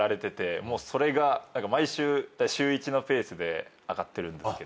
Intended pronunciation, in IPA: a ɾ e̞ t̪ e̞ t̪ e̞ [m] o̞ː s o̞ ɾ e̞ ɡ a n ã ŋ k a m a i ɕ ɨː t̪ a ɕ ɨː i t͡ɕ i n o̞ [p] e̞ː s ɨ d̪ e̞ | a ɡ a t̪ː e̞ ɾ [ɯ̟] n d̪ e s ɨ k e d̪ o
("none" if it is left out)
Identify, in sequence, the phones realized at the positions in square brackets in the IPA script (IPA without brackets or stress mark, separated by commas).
m, p, ɯ̟̃